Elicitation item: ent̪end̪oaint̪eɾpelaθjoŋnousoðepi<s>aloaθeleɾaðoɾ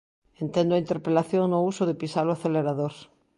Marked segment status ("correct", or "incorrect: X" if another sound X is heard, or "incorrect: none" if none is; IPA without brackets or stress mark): correct